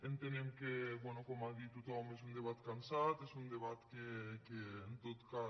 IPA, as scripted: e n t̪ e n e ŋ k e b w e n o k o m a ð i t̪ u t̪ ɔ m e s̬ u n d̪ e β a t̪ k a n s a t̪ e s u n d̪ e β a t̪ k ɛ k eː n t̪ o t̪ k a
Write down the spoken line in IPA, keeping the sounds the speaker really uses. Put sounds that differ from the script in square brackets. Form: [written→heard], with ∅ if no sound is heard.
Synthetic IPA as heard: e n t̪ e n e [ŋ→m] k e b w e n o k o m a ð i t̪ u t̪ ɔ m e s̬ u n d̪ e β a t̪ k a n s a t̪ e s u n d̪ e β a t̪ k [ɛ→e] k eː n t̪ o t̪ k a